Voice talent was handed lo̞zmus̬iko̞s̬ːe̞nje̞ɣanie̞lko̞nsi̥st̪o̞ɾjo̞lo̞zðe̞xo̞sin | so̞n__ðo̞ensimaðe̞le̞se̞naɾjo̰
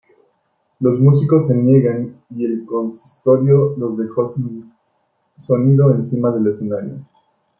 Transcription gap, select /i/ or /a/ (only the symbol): i